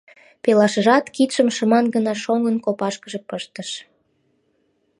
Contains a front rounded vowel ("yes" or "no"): no